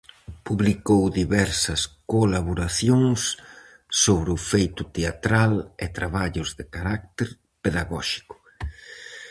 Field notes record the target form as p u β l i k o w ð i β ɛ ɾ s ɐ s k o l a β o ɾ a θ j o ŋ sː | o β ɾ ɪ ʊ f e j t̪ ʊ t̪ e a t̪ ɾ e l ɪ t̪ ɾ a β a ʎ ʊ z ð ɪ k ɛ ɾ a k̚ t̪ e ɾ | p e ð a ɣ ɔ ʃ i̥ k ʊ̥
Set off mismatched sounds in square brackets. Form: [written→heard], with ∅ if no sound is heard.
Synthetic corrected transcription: p u β l i k o w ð i β ɛ ɾ s ɐ s k o l a β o ɾ a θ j o ŋ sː | o β ɾ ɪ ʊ f e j t̪ ʊ t̪ e a t̪ ɾ [e→a] l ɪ t̪ ɾ a β a ʎ ʊ z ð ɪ k [ɛ→a] ɾ a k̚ t̪ e ɾ | p e ð a ɣ ɔ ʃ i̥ k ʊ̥